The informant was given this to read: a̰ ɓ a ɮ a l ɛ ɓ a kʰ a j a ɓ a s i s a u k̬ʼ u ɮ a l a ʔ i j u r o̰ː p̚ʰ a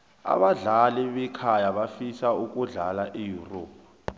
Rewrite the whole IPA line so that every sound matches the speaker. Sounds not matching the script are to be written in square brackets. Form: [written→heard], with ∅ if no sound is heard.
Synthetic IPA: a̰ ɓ a ɮ a l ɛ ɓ [a→ɛ] kʰ a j a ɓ a [s→f] i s a u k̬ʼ u ɮ a l a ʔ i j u r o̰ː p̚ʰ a